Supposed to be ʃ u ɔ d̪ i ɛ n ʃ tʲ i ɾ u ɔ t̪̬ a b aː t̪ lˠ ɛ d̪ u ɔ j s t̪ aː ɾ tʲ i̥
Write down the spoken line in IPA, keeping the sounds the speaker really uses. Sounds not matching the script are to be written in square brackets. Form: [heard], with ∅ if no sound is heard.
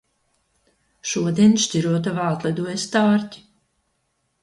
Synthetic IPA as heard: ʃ u ɔ d̪ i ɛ n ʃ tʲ i ɾ u ɔ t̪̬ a [v] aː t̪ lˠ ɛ d̪ u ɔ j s t̪ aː ɾ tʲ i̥